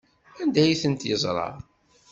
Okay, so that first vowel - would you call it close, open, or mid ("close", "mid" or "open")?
open